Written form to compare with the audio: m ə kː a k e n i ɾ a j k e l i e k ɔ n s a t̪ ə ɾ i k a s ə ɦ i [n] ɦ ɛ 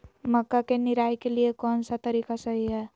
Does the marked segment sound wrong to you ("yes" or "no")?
yes